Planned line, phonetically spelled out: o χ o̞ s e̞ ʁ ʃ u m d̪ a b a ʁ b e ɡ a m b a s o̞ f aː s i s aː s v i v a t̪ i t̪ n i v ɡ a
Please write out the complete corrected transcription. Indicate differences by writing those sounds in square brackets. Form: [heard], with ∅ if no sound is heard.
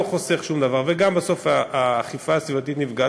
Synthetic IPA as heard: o χ o̞ s e̞ [χ] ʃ u m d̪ a [v] a ʁ [v] e ɡ a m b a s o̞ f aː [χ] i [f] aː s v i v a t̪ i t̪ n i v ɡ a